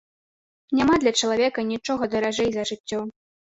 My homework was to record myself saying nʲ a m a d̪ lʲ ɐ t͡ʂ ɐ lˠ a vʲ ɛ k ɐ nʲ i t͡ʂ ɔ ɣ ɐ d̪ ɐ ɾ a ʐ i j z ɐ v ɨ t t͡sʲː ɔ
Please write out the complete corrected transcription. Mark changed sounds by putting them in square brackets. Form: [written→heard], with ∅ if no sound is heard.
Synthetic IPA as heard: nʲ a m a d̪ lʲ ɐ t͡ʂ ɐ lˠ a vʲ ɛ k ɐ nʲ i t͡ʂ ɔ ɣ ɐ d̪ ɐ ɾ a ʐ [i→ɛ] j z ɐ [v→ʐ] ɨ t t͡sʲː ɔ